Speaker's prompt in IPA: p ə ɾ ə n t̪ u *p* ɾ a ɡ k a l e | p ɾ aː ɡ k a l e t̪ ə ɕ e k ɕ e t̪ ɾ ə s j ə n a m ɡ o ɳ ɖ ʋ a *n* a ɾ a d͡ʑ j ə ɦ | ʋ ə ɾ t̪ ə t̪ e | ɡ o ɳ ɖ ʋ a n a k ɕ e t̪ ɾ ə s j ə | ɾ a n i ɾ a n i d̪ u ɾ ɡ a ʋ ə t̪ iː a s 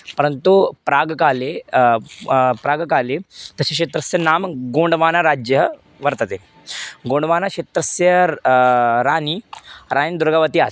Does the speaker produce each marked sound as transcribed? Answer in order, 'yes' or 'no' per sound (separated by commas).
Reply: yes, yes